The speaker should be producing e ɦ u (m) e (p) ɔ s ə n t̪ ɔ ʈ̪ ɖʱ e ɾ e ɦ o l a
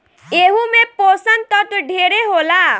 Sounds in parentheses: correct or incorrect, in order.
correct, correct

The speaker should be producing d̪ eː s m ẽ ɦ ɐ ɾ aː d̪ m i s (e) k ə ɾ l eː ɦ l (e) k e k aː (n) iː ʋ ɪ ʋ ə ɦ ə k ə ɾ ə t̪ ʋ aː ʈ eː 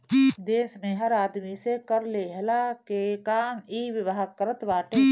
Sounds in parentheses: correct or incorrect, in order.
correct, incorrect: a, incorrect: m

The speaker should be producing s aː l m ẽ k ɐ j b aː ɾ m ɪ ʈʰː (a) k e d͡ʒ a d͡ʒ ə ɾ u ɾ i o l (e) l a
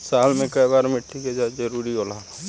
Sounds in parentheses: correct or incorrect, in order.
incorrect: i, incorrect: a

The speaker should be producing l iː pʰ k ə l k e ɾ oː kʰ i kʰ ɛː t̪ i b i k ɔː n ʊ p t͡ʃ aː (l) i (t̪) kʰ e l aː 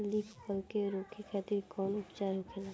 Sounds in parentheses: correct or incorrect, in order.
incorrect: ɾ, incorrect: none

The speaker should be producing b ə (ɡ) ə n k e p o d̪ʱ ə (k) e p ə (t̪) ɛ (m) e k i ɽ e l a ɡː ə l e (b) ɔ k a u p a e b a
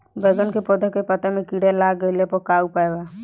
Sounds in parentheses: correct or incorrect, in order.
correct, correct, correct, correct, incorrect: p

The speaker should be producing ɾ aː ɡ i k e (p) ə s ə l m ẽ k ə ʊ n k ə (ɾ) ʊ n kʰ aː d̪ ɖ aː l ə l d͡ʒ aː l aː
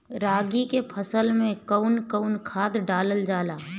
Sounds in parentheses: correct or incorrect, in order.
incorrect: pʰ, incorrect: none

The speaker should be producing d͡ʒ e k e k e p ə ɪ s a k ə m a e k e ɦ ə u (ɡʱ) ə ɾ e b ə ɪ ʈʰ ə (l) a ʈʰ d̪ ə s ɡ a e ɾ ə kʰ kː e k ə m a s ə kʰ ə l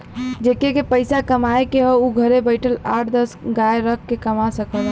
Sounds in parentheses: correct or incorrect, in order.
correct, correct

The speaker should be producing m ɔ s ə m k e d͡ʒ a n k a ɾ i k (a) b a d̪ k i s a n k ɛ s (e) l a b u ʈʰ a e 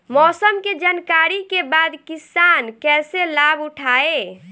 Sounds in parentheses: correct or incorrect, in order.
incorrect: e, correct

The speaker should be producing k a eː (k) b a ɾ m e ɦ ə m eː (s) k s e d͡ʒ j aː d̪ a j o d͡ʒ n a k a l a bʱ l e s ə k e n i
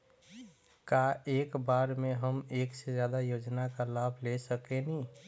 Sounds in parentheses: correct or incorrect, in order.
correct, incorrect: none

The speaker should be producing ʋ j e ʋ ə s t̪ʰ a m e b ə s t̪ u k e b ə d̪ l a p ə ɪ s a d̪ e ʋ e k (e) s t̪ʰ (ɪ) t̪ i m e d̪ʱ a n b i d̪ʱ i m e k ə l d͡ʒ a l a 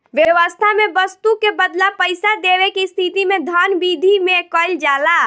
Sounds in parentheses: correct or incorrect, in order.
incorrect: i, incorrect: i

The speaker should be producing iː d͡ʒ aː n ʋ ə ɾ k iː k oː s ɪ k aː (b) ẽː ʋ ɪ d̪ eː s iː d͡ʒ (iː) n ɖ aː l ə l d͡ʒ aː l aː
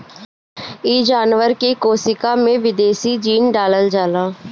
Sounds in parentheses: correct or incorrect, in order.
incorrect: m, correct

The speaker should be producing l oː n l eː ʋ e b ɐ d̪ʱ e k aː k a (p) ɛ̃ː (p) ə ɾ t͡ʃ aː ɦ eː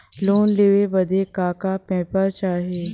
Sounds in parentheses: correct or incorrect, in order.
correct, correct

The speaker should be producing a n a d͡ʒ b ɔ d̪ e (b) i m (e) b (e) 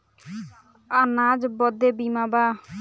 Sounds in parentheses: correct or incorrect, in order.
correct, incorrect: a, incorrect: a

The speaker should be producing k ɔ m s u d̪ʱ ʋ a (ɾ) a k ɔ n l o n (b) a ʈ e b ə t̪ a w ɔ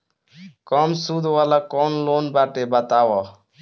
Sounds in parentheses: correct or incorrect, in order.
incorrect: l, correct

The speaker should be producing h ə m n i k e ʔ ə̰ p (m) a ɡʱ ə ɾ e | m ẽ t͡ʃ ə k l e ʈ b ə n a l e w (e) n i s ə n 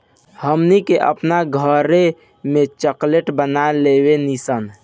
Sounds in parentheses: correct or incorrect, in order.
incorrect: n, correct

